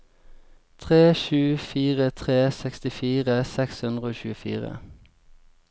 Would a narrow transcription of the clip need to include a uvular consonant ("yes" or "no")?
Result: yes